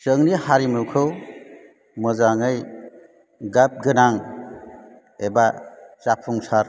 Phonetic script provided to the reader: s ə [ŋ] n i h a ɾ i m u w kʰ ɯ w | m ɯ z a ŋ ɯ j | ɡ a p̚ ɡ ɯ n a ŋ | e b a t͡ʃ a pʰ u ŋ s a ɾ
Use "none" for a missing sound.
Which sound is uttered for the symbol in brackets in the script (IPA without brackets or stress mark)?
ŋ